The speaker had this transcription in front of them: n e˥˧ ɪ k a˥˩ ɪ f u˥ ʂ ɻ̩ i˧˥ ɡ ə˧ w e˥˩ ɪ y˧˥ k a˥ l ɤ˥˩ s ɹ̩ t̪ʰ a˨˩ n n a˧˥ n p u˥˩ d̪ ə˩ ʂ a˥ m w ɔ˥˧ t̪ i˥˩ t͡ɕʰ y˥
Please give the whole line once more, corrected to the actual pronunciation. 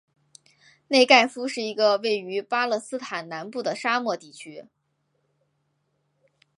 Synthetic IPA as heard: n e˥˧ ɪ k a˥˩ ɪ f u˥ ʂ ɻ̩ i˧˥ ɡ ə˧ w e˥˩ ɪ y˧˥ p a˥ l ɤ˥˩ s ɹ̩ t̪ʰ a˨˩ n n a˧˥ n p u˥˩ d̪ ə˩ ʂ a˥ m w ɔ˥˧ t̪ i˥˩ t͡ɕʰ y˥

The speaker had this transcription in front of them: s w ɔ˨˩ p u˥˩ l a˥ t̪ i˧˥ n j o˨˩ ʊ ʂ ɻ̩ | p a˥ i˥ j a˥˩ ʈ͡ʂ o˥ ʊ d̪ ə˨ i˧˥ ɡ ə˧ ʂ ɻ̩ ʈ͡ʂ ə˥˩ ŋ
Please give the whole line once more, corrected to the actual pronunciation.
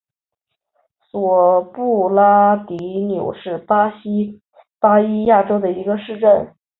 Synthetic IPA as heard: s w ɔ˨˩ p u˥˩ l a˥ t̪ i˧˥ n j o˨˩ ʊ ʂ ɻ̩ | p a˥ i˥ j a˥˩ ʈ͡ʂ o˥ ʊ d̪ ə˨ i˧˥ ɡ ə˧ ʂ ɻ̩ ʈ͡ʂ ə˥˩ n

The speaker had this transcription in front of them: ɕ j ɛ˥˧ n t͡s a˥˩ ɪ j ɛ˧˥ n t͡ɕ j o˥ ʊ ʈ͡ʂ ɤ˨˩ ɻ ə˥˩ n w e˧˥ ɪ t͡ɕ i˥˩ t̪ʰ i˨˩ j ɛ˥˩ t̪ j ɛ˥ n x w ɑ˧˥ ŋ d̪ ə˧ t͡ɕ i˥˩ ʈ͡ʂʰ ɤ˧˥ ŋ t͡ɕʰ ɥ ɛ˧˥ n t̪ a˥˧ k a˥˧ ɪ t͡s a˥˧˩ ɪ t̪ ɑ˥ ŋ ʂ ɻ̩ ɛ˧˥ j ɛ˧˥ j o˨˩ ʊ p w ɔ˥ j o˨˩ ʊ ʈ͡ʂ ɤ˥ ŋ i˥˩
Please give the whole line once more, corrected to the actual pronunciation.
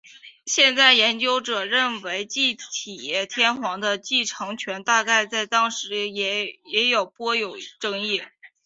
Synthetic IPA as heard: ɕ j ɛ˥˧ n t͡s a˥˩ ɪ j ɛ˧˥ n t͡ɕ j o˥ ʊ ʈ͡ʂ ɤ˨˩ ɻ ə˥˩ n w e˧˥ ɪ t͡ɕ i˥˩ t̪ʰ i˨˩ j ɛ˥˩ t̪ʰ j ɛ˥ n x w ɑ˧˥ ŋ d̪ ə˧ t͡ɕ i˥˩ ʈ͡ʂʰ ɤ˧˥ ŋ t͡ɕʰ ɥ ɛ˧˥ n t̪ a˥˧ k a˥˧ ɪ t͡s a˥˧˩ ɪ t̪ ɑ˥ ŋ ʂ ɻ̩ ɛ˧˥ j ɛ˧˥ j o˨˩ ʊ p w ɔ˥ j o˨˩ ʊ ʈ͡ʂ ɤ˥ ŋ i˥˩

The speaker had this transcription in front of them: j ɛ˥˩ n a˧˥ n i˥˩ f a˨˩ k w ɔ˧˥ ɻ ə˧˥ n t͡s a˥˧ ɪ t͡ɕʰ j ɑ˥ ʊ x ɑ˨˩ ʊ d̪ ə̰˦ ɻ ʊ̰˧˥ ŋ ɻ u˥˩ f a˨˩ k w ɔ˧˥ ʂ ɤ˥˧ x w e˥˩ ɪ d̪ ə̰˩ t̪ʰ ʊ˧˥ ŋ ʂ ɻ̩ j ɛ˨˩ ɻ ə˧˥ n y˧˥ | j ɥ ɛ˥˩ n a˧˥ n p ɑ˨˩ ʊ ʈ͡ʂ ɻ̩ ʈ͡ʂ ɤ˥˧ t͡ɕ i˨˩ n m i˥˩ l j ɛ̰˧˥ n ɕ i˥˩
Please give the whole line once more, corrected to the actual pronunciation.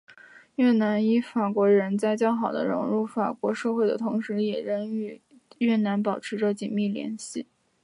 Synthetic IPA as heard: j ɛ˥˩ n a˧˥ n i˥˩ f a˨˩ k w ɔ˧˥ ɻ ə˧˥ n t͡s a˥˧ ɪ t͡ɕ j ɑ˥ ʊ x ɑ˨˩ ʊ d̪ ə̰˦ ɻ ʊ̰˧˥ ŋ ɻ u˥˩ f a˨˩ k w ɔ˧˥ ʂ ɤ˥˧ x w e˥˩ ɪ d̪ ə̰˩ t̪ʰ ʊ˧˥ ŋ ʂ ɻ̩ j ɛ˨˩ ɻ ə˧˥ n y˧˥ | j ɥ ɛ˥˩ n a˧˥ n p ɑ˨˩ ʊ ʈ͡ʂʰ ɻ̩ ʈ͡ʂ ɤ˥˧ t͡ɕ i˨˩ n m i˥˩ l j ɛ̰˧˥ n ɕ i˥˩

